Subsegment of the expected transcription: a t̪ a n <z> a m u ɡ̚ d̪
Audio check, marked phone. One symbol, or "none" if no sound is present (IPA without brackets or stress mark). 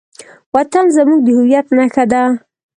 z